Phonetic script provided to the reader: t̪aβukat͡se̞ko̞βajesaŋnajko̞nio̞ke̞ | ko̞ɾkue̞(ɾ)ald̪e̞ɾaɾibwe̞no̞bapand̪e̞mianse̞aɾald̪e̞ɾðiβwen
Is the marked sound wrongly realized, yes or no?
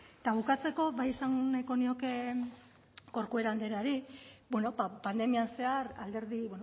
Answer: no